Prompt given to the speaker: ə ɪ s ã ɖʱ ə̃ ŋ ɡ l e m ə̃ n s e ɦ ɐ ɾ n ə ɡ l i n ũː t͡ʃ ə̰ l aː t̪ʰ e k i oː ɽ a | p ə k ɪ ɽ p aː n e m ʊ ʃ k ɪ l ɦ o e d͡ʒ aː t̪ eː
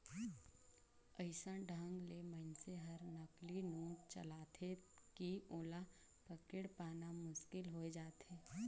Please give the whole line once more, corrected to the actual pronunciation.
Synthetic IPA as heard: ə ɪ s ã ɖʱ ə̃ ŋ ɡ l e m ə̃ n s e ɦ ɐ ɾ n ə k l i n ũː t͡ʃ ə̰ l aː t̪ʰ e k i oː l a | p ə k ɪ ɽ p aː n a m ʊ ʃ k ɪ l ɦ o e d͡ʒ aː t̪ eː